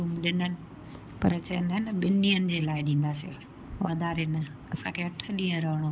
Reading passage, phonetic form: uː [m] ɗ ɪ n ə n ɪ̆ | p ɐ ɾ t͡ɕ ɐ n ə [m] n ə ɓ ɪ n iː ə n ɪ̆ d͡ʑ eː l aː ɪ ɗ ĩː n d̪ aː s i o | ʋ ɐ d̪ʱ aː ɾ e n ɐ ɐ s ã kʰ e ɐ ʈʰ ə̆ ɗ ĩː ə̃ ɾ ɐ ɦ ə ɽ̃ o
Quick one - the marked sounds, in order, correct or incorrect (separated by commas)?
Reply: correct, incorrect